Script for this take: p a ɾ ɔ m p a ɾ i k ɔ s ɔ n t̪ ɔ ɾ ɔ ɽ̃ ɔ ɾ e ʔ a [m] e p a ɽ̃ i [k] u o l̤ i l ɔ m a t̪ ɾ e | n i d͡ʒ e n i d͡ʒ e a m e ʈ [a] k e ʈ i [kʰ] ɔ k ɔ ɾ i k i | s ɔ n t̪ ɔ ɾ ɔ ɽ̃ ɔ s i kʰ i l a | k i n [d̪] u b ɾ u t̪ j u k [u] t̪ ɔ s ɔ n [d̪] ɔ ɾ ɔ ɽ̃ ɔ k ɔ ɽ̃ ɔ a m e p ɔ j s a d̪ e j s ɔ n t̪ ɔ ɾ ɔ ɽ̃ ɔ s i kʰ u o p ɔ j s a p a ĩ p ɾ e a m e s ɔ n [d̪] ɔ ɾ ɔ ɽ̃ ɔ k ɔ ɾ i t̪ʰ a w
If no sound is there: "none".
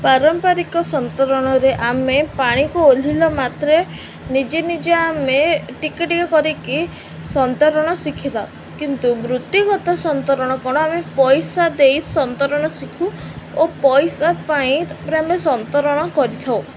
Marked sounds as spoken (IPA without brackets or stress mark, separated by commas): m, k, i, k, t̪, ɔ, t̪, t̪